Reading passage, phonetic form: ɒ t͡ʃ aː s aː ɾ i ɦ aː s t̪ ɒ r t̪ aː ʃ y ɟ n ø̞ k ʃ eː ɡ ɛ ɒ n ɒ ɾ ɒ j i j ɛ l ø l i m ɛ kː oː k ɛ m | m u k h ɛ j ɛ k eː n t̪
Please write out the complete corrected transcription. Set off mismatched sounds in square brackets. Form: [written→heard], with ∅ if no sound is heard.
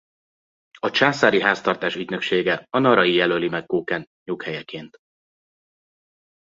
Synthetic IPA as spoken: ɒ t͡ʃ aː s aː ɾ i ɦ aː s t̪ ɒ r t̪ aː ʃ y ɟ n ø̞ k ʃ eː ɡ ɛ ɒ n ɒ ɾ ɒ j i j ɛ l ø l i m ɛ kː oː k ɛ [m→n] | [m→ɲ] u k h ɛ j ɛ k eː n t̪